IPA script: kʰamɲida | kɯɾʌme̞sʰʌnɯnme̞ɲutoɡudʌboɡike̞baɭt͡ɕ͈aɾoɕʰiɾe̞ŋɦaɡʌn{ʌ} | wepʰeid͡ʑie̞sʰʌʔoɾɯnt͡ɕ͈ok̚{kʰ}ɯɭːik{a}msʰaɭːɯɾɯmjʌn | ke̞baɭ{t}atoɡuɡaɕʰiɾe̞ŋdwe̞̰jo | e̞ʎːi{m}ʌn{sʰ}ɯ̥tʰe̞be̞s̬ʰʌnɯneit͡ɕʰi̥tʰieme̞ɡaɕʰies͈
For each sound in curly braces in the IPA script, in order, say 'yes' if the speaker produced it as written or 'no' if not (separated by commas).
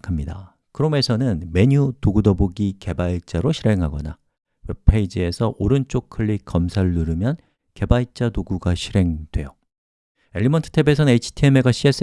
no, yes, no, no, yes, no